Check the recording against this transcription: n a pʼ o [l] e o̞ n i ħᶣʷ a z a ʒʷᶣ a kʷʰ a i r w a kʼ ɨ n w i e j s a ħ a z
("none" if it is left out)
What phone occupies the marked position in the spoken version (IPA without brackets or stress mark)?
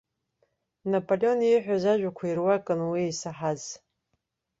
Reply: l